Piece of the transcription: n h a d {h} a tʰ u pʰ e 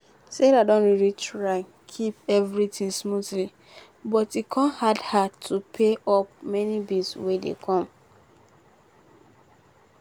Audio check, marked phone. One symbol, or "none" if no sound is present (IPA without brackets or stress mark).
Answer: h